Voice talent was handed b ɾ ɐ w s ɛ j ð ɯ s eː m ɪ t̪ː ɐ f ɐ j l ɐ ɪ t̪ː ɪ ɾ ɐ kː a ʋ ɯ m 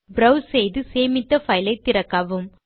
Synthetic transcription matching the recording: b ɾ ɐ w s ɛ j ð ɯ s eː m ɪ t̪ː ɐ f ɐ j l ɐ ɪ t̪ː ɪ ɾ ɐ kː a ʋ ɯ m

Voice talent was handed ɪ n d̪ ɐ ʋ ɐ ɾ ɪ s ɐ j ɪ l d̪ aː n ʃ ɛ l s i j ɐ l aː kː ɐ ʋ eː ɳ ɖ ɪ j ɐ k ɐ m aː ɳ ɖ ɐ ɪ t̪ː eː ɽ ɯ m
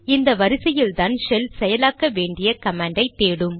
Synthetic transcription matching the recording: ɪ n d̪ ɐ ʋ ɐ ɾ ɪ s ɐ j ɪ l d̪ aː n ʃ ɛ l s ɛ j ɐ l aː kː ɐ ʋ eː ɳ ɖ ɪ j ɐ k ɐ m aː ɳ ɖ ɐ ɪ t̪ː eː ɽ ɯ m

